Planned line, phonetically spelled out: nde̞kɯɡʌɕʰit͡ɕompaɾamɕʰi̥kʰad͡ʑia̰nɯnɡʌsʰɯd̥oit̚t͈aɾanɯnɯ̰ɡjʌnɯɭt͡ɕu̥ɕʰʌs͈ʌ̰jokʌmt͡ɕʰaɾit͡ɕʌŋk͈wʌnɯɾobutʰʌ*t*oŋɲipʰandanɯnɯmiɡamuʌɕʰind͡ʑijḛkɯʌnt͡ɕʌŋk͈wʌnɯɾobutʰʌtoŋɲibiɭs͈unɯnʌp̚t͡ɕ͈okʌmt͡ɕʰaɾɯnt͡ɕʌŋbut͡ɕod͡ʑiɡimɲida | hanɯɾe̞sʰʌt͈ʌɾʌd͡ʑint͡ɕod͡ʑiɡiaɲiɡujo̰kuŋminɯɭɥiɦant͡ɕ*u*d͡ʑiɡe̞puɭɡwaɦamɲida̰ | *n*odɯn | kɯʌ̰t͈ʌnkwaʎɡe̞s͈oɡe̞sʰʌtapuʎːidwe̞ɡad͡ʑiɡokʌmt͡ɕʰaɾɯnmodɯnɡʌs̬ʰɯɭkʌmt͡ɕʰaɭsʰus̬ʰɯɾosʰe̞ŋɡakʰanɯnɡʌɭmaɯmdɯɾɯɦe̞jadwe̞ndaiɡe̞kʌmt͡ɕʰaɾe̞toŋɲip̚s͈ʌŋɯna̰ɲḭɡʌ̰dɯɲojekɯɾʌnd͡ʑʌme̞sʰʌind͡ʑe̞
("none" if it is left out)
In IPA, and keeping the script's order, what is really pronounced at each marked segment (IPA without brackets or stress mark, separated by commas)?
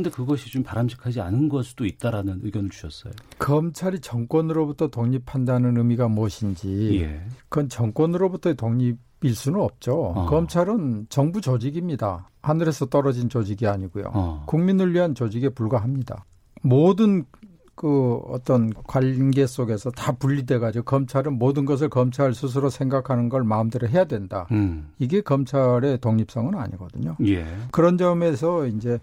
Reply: t, o, m